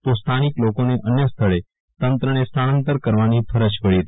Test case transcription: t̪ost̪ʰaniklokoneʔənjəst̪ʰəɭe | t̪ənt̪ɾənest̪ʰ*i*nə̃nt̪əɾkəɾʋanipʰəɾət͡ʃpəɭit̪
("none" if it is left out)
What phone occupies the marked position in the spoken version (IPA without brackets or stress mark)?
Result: a